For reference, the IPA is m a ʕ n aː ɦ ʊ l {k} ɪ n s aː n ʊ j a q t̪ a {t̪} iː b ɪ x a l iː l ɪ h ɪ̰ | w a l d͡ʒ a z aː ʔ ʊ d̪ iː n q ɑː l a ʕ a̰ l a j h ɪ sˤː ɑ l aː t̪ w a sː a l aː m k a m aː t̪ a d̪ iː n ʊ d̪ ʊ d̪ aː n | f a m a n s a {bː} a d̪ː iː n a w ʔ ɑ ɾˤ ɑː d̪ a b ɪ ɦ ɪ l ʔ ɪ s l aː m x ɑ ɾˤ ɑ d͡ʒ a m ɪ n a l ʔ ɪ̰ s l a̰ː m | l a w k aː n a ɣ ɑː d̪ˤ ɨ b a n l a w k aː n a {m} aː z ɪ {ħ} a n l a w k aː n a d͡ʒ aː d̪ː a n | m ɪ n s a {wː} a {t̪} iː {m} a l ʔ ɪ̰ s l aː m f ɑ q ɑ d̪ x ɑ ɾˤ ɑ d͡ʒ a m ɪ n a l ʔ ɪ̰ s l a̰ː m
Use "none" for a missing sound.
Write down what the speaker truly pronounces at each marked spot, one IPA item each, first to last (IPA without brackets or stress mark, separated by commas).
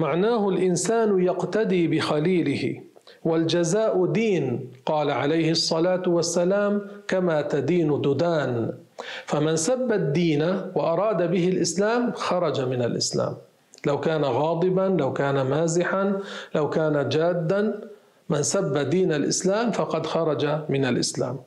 ʔ, d̪, bː, m, ħ, bː, d̪, n